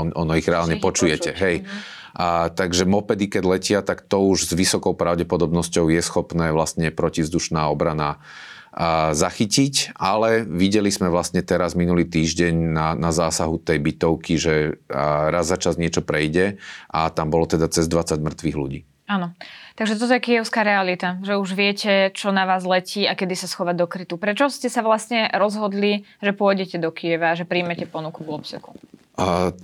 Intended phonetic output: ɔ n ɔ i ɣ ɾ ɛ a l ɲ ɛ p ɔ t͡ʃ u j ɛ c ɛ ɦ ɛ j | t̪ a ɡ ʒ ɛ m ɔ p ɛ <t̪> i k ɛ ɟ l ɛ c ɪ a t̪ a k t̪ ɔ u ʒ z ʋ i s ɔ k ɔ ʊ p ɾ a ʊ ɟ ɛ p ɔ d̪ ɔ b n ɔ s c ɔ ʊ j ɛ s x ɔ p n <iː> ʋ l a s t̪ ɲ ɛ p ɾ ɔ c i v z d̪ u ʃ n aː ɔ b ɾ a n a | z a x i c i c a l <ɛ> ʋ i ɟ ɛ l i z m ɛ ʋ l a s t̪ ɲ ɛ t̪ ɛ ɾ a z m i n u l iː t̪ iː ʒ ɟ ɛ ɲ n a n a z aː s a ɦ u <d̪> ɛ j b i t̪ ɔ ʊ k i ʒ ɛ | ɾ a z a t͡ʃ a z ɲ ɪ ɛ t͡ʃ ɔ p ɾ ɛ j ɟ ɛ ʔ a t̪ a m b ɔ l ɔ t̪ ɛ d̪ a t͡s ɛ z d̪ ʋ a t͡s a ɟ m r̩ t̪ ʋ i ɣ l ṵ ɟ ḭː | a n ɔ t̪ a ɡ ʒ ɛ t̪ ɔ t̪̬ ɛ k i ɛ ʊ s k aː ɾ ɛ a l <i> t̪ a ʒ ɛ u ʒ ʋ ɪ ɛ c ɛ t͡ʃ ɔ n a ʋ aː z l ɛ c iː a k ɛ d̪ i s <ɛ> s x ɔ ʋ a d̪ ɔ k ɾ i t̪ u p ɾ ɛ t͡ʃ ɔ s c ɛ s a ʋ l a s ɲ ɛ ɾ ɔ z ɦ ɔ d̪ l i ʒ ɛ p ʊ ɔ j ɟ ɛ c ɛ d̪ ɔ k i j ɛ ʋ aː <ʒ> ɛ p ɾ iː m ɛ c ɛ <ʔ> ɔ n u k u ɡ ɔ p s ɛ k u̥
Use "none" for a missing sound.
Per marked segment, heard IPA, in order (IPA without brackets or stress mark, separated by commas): d̪, ɛː, ɛ, t̪, i, a, ʒ, p